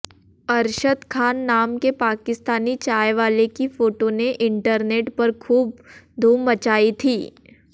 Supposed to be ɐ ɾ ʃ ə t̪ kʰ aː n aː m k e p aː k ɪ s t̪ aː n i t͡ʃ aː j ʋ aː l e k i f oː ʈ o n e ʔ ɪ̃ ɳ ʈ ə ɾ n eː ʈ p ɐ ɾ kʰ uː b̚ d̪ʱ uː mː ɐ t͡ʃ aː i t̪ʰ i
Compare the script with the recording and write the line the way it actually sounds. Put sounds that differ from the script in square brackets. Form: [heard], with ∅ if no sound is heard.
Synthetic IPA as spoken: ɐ ɾ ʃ ə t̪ kʰ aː [nː] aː m k e p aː k ɪ s t̪ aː n i t͡ʃ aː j ʋ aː l e k i f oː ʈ o n e ʔ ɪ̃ ɳ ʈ ə ɾ n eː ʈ p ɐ ɾ kʰ uː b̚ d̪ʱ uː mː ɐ t͡ʃ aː i t̪ʰ [iː]